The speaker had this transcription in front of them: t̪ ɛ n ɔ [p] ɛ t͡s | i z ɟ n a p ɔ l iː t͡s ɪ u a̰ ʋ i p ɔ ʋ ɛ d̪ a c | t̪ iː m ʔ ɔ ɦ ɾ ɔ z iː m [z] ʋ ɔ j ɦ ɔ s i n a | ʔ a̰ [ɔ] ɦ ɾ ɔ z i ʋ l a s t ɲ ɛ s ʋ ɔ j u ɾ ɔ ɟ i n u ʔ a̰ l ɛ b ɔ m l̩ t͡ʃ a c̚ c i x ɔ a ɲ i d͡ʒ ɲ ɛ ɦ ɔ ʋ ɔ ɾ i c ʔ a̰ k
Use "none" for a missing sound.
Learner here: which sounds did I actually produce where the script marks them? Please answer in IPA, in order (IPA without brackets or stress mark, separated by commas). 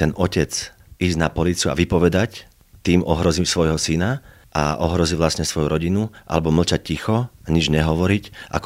c, s, ɔ